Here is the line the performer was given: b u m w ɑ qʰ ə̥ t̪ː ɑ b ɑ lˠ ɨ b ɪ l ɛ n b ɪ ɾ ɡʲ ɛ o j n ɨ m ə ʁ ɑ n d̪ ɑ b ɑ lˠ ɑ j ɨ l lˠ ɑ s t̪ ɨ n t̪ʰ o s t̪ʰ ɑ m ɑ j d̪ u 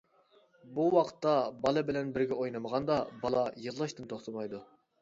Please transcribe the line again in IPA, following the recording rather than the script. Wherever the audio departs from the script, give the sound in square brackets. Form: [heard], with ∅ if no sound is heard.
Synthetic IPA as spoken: b u [∅] w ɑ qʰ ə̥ t̪ː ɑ b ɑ lˠ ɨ b ɪ l ɛ n b ɪ ɾ ɡʲ ɛ o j n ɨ m ə ʁ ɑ n d̪ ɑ b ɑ lˠ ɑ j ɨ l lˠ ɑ [ʃ] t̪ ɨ n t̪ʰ o [χ] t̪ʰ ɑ m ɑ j d̪ u